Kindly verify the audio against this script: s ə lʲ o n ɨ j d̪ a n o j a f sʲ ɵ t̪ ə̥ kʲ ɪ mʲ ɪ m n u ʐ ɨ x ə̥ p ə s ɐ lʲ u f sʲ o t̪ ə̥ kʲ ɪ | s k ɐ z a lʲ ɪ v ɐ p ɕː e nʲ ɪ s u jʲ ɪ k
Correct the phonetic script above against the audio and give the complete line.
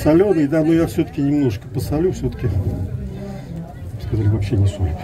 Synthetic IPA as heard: s ɐ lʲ o n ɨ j d̪ a n o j a f sʲ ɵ t̪ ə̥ kʲ ɪ nʲ ɪ m n o ʐ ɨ k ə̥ p ə s ɐ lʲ u f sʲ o t̪ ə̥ kʲ ɪ | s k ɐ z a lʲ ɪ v ɐ p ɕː e nʲ ɪ s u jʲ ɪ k